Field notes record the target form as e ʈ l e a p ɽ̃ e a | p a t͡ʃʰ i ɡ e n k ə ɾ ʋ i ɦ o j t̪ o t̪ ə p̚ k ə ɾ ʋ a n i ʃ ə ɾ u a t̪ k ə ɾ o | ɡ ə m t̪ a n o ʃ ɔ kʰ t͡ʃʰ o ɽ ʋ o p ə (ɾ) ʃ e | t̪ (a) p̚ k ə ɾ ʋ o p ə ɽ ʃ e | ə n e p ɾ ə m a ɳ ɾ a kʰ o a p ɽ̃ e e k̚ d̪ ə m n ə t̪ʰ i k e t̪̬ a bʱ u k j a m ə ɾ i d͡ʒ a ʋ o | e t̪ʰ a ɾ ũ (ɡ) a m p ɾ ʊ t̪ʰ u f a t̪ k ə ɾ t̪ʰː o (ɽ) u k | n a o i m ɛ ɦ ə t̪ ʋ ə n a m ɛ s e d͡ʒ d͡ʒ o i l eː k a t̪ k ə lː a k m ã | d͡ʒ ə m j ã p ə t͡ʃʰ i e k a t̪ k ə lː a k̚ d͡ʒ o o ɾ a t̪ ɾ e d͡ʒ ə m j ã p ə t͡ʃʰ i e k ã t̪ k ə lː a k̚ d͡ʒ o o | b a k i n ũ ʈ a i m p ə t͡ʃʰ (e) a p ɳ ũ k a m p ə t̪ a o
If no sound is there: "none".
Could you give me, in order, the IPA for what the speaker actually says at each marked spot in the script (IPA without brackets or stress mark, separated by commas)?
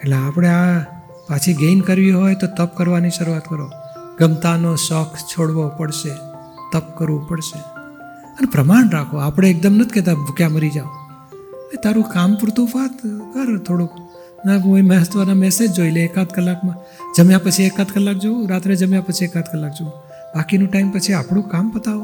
ɽ, ə, k, ɽ, i